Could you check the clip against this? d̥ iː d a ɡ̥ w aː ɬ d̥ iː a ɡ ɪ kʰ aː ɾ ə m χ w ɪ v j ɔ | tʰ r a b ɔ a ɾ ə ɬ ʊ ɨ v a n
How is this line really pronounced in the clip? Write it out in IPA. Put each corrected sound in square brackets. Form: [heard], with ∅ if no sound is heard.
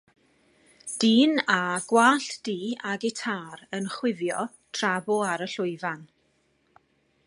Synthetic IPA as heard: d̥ iː [n] a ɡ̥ w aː ɬ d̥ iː a ɡ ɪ [tʰ] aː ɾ ə [n] χ w ɪ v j ɔ | tʰ r a b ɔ a ɾ ə ɬ ʊ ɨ v a n

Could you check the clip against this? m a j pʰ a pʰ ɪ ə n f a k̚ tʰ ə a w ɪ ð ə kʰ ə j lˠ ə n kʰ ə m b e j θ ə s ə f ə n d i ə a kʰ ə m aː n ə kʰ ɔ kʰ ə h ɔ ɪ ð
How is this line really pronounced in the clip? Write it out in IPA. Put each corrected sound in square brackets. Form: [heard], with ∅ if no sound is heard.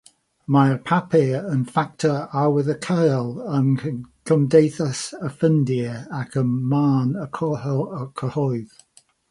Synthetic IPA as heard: m a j pʰ a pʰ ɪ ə n f a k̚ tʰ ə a w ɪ ð ə kʰ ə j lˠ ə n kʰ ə m [d] e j θ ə s ə f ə n d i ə a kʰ ə m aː n ə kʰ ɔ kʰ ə h ɔ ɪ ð

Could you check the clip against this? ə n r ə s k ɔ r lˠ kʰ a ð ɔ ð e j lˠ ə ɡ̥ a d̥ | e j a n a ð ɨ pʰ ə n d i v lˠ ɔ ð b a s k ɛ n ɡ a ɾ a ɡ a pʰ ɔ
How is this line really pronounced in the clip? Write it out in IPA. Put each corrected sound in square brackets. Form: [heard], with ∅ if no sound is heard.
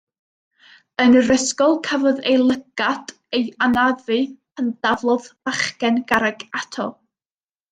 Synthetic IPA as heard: ə n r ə s k ɔ [∅] lˠ kʰ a [v] ɔ ð e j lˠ ə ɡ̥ a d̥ | e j a n a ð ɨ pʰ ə n d [a] v lˠ ɔ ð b a [χ] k ɛ n ɡ a ɾ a ɡ a [tʰ] ɔ

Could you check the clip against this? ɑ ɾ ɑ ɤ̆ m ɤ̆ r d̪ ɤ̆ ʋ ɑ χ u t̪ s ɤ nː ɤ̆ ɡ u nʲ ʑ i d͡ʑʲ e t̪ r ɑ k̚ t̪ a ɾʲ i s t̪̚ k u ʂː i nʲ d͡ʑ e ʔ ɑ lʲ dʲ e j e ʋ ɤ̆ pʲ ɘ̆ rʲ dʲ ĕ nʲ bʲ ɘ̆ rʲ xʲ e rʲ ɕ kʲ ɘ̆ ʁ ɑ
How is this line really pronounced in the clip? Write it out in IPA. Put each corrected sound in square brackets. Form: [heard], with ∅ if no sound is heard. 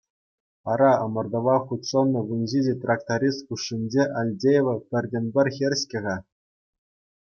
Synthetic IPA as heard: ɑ ɾ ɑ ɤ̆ m ɤ̆ r d̪ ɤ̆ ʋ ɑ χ u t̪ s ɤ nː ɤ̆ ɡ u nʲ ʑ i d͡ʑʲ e t̪ r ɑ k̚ t̪ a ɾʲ i s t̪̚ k u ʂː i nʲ d͡ʑ e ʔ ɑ lʲ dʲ e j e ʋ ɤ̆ pʲ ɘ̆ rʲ dʲ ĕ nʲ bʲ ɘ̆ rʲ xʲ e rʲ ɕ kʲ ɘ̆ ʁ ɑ

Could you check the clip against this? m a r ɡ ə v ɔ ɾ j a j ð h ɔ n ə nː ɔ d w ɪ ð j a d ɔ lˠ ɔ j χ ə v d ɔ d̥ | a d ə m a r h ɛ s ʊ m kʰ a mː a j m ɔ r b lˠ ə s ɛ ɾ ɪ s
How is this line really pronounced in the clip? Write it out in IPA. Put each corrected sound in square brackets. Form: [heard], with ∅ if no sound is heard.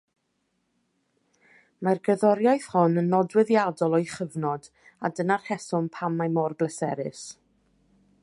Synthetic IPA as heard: m a r ɡ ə [ð] ɔ ɾ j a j [θ] h ɔ n ə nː ɔ d w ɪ ð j a d ɔ lˠ ɔ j χ ə v [n] ɔ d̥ | a d ə [n] a r h ɛ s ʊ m [pʰ] a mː a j m ɔ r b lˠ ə s ɛ ɾ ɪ s

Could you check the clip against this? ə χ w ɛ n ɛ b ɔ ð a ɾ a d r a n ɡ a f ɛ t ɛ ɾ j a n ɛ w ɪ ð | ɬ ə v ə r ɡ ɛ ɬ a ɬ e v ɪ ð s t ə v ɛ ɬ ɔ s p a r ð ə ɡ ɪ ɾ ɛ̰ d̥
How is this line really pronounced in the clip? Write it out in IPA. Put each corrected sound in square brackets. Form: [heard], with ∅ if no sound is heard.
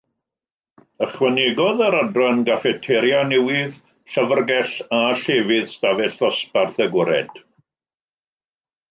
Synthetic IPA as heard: ə χ w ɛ n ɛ [ɡ] ɔ ð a ɾ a d r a n ɡ a f ɛ [tʰ] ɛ ɾ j a n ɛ w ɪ ð | ɬ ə v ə r ɡ ɛ ɬ a ɬ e v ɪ ð s t [a] v ɛ ɬ ɔ s p a r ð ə ɡ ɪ ɾ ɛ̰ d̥

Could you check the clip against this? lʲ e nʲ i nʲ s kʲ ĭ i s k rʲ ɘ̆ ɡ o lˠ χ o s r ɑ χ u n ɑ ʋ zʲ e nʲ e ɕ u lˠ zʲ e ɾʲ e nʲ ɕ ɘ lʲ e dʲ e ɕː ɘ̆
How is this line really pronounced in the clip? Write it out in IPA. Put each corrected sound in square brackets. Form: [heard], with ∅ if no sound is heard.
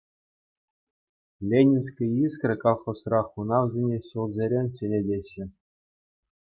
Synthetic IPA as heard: lʲ e nʲ i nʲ s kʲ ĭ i s k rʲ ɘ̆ [k] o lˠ χ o s r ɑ χ u n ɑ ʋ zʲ e nʲ e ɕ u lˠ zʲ e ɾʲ e nʲ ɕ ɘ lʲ e dʲ e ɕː ɘ̆

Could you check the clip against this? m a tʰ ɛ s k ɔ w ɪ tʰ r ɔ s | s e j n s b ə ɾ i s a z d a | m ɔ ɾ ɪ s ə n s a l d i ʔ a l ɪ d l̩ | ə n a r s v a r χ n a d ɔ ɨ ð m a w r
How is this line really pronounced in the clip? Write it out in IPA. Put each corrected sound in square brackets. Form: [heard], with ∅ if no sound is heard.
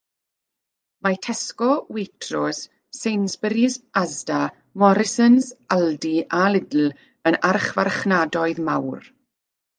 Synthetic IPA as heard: m a tʰ ɛ s k ɔ w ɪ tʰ r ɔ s | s e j n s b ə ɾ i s a z d a | m ɔ ɾ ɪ s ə n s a l d i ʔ a l ɪ d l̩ | ə n a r [χ] v a r χ n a d ɔ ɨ ð m a w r

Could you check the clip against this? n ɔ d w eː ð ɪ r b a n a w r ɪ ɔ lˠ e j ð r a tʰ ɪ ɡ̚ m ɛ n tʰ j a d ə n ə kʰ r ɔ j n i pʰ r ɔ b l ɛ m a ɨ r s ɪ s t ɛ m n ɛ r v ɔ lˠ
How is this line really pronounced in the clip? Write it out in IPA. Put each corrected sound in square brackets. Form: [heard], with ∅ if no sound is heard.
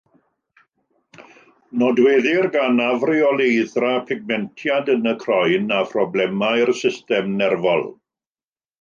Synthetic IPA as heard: n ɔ d w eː ð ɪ r [ɡ] a n a [v] r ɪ ɔ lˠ e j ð r a [pʰ] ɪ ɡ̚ m ɛ n tʰ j a d ə n ə kʰ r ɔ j n [a] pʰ r ɔ b l ɛ m a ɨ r s ɪ s t ɛ m n ɛ r v ɔ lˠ

